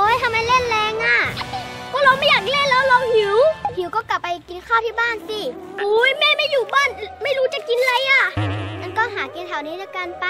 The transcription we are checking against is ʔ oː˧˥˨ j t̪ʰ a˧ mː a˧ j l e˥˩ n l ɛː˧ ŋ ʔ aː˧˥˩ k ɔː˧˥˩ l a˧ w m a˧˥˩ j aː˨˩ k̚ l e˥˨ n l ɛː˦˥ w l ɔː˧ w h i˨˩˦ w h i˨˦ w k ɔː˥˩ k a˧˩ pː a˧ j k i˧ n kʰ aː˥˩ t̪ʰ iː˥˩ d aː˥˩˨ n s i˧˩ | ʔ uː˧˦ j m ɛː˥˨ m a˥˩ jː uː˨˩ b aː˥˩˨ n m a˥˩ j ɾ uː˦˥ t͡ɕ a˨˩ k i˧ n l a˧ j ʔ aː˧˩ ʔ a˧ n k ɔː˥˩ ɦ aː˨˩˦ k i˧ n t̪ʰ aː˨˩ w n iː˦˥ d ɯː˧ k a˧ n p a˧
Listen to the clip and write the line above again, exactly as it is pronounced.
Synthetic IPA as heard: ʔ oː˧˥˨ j t̪ʰ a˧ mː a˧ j l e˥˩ n l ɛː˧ ŋ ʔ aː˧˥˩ k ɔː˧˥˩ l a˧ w m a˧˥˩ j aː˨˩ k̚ l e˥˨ n l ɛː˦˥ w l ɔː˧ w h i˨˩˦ w h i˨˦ w k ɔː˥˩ k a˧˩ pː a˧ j k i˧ n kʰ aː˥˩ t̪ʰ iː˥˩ b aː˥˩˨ n s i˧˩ | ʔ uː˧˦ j m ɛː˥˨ m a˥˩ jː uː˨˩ b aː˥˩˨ n m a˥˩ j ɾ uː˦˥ t͡ɕ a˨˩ k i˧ n l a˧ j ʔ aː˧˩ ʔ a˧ n k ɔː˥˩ ɦ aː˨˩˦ k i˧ n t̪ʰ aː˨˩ w n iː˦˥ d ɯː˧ k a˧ n p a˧